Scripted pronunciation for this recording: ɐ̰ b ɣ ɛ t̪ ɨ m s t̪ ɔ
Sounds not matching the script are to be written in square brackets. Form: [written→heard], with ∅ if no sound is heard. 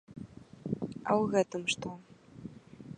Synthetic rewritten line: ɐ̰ [b→w] ɣ ɛ t̪ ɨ m [s→ʂ] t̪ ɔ